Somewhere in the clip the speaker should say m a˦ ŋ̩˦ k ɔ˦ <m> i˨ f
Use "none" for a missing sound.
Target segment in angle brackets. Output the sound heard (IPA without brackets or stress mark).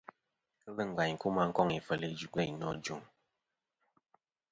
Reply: ŋ